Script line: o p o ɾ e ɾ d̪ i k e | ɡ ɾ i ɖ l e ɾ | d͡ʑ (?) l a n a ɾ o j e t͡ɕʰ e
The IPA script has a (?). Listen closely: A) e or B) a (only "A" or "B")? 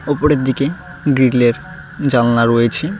B